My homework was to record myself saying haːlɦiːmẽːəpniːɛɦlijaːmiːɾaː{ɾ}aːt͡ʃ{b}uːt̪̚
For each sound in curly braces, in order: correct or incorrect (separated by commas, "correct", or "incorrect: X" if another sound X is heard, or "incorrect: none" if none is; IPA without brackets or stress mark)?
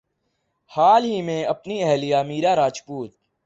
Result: correct, incorrect: p